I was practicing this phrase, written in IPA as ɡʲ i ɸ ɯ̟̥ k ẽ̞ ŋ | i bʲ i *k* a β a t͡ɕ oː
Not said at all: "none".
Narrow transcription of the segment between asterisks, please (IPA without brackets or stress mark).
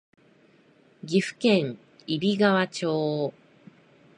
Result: ɡ